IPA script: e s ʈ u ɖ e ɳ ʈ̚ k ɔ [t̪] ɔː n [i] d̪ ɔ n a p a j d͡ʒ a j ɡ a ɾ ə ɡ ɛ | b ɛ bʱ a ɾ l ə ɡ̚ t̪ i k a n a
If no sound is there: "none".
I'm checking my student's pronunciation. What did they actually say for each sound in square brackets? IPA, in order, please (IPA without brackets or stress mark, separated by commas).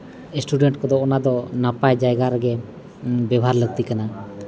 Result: d̪, a